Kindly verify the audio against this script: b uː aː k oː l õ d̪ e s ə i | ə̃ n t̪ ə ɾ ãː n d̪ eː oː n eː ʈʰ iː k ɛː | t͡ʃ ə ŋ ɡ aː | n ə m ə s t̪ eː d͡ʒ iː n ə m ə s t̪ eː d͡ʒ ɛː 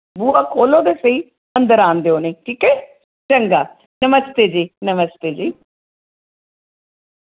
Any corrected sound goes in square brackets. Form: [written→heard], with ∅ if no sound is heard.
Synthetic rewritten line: b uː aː k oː l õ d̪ e s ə i | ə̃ n [t̪→d̪] ə ɾ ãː n d̪ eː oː n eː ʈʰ iː k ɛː | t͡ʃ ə ŋ ɡ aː | n ə m ə s t̪ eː d͡ʒ iː n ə m ə s t̪ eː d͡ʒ [ɛː→iː]